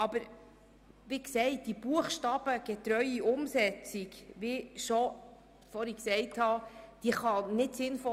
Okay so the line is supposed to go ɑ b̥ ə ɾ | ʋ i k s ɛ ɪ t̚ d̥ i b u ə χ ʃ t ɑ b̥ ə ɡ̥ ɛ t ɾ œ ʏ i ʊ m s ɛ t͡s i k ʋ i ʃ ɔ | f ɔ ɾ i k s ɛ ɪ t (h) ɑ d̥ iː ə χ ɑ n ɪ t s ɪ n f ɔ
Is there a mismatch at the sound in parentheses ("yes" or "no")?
no